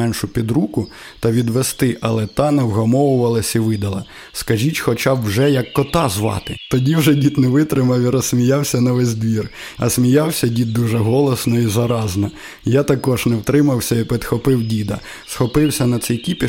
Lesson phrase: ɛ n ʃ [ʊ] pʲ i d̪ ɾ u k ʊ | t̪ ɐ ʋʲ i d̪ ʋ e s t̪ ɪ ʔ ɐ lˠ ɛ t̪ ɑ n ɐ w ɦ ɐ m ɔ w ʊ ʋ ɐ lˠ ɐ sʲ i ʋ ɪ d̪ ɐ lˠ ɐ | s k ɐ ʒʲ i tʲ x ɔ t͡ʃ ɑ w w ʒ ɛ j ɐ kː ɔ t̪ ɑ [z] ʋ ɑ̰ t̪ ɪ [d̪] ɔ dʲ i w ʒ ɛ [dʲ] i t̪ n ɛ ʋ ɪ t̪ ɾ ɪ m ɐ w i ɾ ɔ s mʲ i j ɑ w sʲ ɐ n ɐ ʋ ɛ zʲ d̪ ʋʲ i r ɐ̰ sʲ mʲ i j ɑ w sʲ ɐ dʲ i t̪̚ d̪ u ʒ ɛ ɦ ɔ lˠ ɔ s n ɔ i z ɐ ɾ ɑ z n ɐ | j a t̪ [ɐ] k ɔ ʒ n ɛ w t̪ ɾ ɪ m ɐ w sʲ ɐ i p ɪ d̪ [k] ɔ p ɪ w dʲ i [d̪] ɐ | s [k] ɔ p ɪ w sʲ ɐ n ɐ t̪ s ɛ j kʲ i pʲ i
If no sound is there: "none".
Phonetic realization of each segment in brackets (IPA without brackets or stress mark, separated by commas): ʊ, z, t̪, dʲ, ɐ, x, d̪, x